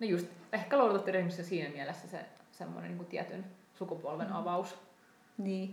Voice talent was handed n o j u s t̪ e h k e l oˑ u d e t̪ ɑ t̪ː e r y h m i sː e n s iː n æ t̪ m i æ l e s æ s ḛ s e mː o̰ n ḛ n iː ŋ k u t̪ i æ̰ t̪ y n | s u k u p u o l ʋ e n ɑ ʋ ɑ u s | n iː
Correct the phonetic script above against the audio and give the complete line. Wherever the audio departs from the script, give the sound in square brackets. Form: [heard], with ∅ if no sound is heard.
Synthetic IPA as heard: n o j u s t̪ e h k [æ] l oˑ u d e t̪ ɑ t̪ː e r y h m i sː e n s iː n æ [∅] m i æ l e [sː] æ s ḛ s e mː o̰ n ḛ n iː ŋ k u t̪ i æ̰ t̪ y n | s u k u p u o l ʋ e n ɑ ʋ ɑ u s | n iː